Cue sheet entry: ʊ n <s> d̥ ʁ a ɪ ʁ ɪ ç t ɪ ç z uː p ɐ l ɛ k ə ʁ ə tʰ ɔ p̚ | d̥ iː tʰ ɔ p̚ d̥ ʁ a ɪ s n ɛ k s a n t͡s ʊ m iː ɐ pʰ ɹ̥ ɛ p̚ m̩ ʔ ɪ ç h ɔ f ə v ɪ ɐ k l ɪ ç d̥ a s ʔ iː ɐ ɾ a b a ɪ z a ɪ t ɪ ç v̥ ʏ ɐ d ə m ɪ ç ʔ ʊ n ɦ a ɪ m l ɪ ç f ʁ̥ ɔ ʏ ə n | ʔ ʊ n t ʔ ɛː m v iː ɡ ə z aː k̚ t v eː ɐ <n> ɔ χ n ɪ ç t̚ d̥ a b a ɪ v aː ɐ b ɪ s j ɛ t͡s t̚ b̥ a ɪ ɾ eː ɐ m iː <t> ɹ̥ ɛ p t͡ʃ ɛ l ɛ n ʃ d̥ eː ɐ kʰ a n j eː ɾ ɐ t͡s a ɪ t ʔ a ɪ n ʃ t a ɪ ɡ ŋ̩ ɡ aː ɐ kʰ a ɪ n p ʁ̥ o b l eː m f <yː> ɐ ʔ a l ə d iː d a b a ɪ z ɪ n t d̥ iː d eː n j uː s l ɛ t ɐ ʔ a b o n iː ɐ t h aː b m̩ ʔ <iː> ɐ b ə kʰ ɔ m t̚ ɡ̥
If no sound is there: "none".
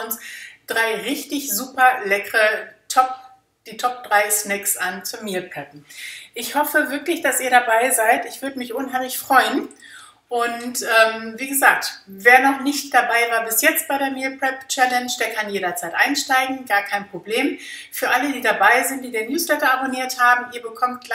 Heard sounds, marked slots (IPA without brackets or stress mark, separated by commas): s, n, p, yː, iː